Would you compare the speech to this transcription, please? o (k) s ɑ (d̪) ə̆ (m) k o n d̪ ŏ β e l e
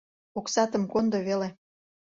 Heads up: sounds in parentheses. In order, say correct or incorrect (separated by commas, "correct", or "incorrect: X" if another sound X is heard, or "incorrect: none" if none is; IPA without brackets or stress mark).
correct, incorrect: t̪, correct